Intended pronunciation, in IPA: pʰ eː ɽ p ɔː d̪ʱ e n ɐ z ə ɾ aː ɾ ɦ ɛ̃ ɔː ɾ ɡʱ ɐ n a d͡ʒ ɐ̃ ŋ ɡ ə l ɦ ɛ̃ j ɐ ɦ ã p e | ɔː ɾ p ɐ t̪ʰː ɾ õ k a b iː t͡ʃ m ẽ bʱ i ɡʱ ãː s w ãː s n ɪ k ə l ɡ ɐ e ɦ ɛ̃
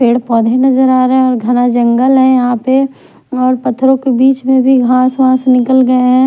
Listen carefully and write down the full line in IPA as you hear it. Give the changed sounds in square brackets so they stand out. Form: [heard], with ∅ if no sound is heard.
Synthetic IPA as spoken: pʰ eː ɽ p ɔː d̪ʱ e n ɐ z ə ɾ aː ɾ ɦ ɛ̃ ɔː ɾ ɡʱ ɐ n a d͡ʒ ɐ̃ ŋ ɡ ə l ɦ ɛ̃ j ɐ ɦ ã p e | ɔː ɾ p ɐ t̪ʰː ɾ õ k [e] b iː t͡ʃ m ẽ bʱ i ɡʱ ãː s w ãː s n ɪ k ə l ɡ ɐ e ɦ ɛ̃